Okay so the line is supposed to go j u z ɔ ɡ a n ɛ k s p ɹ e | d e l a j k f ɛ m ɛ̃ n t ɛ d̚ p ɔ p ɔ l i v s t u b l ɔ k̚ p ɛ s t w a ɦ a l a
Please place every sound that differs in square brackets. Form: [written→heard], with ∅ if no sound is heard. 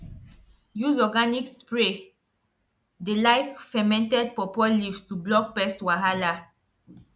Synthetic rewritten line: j u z ɔ ɡ a n [ɛ→i] k s p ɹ e | d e l a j k f ɛ m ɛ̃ n t ɛ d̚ p ɔ p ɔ l i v s t u b l ɔ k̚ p ɛ s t w a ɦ a l a